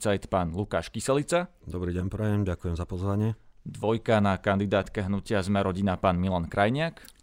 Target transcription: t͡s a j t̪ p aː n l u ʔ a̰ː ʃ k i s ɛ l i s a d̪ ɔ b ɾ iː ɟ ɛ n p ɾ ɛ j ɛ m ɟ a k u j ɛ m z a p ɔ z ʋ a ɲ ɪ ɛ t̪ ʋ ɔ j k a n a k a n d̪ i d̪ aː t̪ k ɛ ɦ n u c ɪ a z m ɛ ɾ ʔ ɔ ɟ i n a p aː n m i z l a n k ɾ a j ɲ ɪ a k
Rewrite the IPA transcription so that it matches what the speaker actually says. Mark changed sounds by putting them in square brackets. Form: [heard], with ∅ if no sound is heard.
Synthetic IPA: t͡s a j t̪ p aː n l u [k] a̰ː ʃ k i s ɛ l i [t͡s] a d̪ ɔ b ɾ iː ɟ ɛ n p ɾ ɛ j ɛ m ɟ a k u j ɛ m z a p ɔ z ʋ a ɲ ɪ ɛ [d̪] ʋ ɔ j k a n a k a n d̪ i d̪ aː t̪ k ɛ ɦ n u c ɪ a z m ɛ ɾ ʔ ɔ ɟ i n a p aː n m i [∅] l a n k ɾ a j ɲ ɪ a k